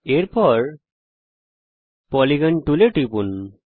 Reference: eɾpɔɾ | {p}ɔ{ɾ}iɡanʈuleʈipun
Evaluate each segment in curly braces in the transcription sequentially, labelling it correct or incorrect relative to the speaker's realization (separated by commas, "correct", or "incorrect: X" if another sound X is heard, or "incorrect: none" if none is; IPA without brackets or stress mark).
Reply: correct, incorrect: l